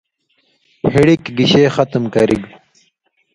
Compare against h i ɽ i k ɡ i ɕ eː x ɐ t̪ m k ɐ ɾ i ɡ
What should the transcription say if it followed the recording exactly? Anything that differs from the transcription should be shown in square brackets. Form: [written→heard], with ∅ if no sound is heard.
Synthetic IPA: h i ɽ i k ɡ i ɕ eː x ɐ t̪ m k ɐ ɾ i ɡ